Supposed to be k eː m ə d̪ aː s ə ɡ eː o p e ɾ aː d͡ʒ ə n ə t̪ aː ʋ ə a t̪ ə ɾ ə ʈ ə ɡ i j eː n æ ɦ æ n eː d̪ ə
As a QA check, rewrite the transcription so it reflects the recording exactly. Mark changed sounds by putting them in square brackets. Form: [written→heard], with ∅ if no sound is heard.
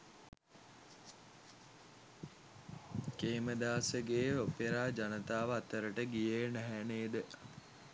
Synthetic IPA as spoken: k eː m ə d̪ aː s ə ɡ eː o p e ɾ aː d͡ʒ [ə→a] n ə t̪ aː ʋ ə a t̪ ə ɾ ə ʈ ə ɡ i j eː n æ ɦ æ n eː d̪ ə